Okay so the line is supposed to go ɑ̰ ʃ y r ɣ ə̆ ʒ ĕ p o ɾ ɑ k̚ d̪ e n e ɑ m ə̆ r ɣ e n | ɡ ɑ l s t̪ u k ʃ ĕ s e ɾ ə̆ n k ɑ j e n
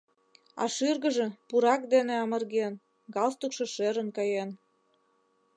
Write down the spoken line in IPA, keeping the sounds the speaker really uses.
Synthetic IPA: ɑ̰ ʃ y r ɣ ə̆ ʒ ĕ p u ɾ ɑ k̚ d̪ e n e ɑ m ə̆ r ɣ e n | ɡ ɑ l s t̪ u k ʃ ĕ ʃ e ɾ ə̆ n k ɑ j e n